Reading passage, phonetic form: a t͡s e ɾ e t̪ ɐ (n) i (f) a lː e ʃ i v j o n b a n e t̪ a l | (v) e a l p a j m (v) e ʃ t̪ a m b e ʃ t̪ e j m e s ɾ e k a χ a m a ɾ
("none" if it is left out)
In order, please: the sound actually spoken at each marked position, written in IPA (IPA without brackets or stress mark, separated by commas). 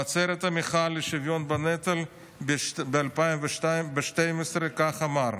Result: m, χ, b, v